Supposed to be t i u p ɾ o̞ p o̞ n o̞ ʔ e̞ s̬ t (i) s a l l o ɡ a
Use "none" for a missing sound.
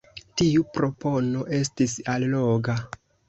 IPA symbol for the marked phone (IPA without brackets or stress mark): i